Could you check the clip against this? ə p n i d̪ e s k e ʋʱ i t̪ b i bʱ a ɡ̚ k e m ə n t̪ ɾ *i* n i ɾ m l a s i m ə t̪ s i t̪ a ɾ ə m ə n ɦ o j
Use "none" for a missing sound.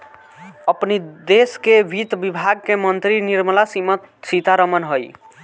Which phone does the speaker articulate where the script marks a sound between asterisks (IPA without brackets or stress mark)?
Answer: i